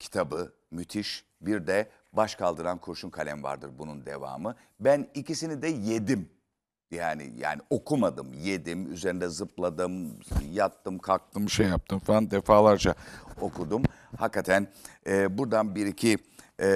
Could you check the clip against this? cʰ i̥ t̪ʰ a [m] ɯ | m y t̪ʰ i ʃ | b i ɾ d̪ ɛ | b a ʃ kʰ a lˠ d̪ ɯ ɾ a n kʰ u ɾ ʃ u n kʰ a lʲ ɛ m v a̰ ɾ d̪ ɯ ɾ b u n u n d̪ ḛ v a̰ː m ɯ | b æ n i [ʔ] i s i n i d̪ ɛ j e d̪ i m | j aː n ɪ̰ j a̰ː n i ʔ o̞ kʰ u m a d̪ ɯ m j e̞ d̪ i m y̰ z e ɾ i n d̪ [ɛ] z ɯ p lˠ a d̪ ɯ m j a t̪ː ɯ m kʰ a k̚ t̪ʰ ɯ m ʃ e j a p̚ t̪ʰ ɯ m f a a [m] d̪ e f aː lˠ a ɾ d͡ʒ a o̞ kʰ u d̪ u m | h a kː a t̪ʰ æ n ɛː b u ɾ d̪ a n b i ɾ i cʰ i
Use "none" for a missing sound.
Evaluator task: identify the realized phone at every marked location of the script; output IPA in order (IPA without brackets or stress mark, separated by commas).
b, c, ɛ, n